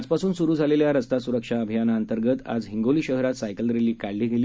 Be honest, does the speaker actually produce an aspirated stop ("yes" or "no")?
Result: no